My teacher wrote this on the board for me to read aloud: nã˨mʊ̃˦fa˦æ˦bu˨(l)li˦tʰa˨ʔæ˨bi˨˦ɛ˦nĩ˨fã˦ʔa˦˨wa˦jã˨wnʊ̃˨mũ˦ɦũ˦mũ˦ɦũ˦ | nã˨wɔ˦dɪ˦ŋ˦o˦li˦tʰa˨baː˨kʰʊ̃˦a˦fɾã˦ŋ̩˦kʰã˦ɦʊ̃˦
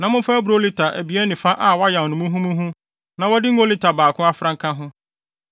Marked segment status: incorrect: ɾ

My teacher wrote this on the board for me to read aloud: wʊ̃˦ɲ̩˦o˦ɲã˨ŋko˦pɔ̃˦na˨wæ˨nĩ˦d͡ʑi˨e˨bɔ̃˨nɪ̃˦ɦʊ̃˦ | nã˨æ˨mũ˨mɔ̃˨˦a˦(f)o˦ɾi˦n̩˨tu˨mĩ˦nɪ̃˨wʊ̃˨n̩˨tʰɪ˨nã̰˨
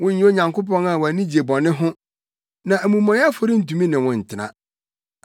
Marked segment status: correct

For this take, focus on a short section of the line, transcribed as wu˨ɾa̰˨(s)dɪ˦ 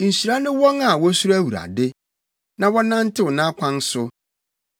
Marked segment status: incorrect: none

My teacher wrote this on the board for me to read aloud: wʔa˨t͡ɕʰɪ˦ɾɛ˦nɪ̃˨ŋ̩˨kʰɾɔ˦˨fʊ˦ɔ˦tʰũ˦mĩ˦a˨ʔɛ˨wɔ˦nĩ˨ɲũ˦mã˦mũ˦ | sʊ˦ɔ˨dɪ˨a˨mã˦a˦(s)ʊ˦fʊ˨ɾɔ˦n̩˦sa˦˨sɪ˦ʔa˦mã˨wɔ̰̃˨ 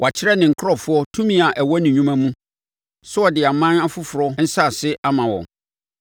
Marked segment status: incorrect: f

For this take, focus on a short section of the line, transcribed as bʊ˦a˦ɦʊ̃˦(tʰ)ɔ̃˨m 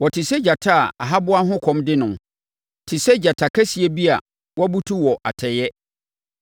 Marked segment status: incorrect: kʰ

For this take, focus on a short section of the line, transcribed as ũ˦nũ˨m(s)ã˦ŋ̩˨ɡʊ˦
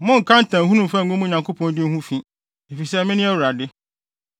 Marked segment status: incorrect: f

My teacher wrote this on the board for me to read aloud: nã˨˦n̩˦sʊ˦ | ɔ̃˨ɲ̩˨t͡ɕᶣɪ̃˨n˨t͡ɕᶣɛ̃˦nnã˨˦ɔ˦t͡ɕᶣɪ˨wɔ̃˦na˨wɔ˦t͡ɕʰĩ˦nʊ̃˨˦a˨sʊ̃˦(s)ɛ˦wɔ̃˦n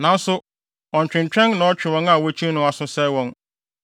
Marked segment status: correct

